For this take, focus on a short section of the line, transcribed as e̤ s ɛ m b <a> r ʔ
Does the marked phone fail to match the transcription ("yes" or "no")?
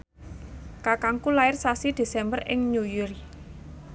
yes